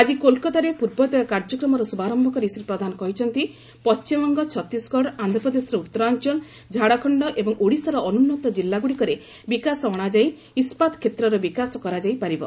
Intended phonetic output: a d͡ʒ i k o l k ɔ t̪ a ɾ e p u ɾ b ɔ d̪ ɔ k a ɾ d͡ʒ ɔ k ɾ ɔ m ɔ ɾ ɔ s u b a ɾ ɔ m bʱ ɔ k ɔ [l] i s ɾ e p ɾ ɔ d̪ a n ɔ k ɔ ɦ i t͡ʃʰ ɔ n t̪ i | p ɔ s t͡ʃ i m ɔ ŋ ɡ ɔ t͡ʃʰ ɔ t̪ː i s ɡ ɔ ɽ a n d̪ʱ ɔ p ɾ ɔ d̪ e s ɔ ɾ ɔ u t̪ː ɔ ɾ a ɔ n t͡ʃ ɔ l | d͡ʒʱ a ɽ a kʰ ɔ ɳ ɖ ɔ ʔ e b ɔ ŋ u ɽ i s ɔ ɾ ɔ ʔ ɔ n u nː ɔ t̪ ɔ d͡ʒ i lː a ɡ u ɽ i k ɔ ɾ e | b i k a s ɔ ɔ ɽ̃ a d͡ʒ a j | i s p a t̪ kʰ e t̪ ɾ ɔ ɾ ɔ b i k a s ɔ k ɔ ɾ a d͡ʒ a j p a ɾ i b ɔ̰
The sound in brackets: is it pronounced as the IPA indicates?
no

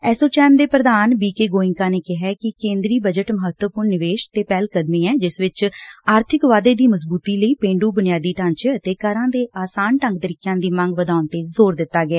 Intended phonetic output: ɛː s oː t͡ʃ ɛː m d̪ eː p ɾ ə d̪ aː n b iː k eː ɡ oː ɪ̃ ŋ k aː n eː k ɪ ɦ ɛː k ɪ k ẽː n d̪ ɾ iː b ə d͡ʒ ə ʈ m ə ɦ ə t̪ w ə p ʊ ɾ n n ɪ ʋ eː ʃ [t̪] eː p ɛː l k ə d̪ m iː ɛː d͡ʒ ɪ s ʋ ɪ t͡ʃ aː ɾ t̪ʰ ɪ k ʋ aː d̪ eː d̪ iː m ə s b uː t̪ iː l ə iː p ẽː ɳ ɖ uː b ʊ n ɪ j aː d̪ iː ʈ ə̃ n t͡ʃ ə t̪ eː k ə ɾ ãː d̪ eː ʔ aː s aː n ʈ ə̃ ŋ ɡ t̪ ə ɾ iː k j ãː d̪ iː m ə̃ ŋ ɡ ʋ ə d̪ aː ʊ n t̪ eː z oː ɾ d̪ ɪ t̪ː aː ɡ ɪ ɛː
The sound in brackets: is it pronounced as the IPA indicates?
yes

